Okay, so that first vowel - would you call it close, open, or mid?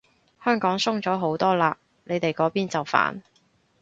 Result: mid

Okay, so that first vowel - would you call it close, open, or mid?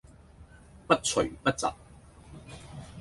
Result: open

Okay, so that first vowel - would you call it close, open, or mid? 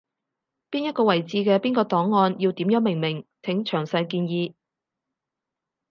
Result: close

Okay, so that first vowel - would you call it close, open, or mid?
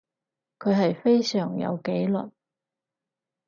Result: mid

